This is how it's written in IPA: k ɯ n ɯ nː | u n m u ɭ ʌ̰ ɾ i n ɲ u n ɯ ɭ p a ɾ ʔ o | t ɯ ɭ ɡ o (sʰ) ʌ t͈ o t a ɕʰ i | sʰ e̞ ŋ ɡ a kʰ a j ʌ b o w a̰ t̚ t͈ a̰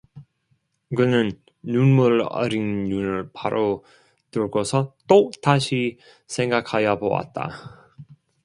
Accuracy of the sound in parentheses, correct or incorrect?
correct